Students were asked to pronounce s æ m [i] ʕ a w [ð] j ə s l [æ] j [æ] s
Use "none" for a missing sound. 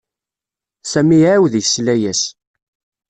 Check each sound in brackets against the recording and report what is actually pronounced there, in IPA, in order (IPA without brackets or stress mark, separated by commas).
i, ð, æ, æ